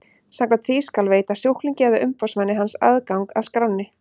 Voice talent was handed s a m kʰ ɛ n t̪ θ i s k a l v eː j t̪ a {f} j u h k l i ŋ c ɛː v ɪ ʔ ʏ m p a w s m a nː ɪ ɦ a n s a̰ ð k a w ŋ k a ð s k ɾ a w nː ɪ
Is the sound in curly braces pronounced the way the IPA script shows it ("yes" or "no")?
no